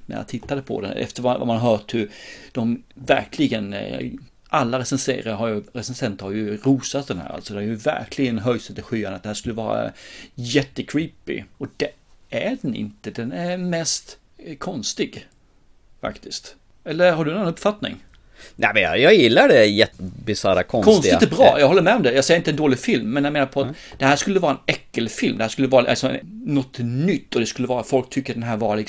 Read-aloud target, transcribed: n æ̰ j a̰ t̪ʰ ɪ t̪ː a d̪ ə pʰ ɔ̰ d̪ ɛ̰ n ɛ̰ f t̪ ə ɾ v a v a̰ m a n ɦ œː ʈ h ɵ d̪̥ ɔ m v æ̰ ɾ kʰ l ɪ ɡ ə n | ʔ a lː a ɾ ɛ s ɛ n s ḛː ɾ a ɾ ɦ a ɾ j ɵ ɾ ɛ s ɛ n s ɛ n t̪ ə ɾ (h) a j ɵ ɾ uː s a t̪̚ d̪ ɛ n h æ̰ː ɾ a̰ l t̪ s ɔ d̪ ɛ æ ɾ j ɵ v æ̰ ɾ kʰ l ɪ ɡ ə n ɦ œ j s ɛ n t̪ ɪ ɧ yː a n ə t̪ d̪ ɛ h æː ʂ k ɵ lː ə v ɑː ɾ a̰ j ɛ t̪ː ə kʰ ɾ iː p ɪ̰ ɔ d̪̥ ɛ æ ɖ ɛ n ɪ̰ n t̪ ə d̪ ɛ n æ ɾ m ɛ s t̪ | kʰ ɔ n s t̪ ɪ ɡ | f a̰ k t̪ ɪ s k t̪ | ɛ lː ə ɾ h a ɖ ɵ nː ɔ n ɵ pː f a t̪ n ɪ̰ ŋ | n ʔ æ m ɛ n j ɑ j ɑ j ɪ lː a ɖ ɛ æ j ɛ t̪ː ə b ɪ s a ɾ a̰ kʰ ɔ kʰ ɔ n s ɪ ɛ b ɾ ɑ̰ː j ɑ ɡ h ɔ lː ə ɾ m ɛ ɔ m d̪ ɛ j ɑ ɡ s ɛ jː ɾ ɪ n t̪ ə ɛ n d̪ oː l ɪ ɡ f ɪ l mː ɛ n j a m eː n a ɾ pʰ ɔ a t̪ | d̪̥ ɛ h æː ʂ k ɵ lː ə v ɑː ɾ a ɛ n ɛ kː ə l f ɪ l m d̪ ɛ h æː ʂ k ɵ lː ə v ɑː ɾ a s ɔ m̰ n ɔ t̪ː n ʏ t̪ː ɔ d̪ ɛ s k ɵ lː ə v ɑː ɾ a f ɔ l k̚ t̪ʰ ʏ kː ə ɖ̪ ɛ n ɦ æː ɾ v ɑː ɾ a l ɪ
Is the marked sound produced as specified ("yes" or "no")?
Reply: yes